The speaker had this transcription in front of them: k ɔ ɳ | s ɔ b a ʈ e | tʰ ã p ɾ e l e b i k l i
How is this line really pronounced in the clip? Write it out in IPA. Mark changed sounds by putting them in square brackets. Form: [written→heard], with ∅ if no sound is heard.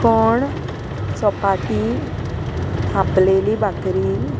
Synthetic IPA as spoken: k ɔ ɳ | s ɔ [b→p] a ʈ [e→i] | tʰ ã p [ɾ→l] e l [e→i] b [i→a] k [l→ɾ] i